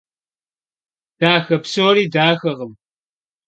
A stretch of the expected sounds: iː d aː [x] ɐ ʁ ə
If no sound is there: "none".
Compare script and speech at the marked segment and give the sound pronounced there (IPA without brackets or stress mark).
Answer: x